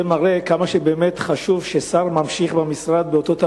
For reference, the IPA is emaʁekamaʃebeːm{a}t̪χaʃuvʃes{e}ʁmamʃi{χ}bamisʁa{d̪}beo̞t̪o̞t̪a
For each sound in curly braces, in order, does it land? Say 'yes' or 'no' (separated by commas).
no, no, yes, yes